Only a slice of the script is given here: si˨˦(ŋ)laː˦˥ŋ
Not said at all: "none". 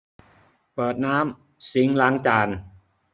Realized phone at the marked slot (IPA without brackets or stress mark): ŋ